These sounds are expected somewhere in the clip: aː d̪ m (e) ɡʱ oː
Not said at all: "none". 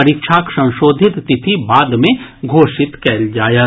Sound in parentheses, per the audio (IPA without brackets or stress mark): ẽ